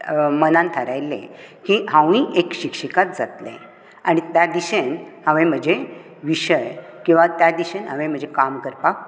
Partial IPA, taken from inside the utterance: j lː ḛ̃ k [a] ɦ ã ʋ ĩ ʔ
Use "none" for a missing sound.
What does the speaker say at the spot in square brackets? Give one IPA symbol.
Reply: i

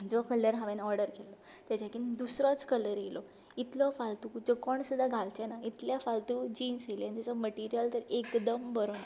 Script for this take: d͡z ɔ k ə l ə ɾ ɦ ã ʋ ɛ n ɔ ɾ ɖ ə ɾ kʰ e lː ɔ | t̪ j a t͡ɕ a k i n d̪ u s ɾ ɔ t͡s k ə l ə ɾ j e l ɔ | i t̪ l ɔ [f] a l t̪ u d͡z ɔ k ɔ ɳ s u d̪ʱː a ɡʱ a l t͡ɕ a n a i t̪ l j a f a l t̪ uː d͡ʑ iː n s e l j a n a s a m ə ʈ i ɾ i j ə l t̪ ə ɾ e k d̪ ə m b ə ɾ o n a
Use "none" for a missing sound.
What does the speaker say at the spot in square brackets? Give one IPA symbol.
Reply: f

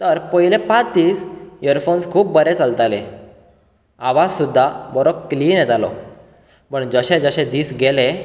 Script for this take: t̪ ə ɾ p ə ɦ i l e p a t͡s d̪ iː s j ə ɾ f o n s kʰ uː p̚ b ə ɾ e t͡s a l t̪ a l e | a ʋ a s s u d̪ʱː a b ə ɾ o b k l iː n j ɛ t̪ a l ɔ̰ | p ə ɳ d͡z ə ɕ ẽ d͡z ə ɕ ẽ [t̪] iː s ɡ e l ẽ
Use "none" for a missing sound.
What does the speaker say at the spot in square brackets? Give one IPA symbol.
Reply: d̪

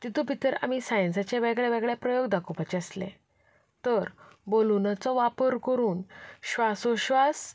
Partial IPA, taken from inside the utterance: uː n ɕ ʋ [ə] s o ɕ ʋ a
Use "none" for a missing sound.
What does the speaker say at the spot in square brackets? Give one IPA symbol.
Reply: a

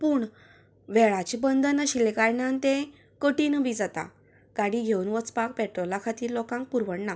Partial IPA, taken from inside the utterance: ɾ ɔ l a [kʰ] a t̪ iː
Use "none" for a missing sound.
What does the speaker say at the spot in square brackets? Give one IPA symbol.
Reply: kʰ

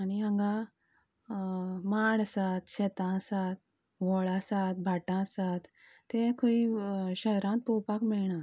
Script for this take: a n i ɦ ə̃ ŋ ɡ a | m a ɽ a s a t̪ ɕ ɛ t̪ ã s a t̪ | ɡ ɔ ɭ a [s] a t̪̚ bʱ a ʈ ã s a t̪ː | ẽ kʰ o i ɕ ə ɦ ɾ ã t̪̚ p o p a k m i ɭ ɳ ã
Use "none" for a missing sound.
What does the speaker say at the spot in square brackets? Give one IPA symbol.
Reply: s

